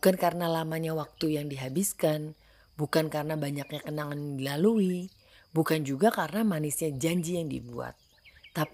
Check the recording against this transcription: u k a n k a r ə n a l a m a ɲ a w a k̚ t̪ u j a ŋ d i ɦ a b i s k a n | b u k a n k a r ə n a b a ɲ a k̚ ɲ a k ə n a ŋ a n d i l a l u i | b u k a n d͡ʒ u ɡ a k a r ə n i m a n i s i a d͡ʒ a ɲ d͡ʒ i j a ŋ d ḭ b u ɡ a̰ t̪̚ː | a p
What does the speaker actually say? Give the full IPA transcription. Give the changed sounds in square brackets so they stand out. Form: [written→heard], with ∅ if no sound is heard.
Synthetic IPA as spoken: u k a n k a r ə n a l a m a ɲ a w a k̚ t̪ u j a ŋ d i ɦ a b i s k a n | b u k a n k a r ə n a b a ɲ a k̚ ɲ a k ə n a ŋ a n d i l a l u i | b u k a n d͡ʒ u ɡ a k a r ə n [i→a] m a n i s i a d͡ʒ a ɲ d͡ʒ i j a ŋ d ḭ b u [ɡ→∅] a̰ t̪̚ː | a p